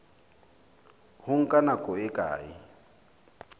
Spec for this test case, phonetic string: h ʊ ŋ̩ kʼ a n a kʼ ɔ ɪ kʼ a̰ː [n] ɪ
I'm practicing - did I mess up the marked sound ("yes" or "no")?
yes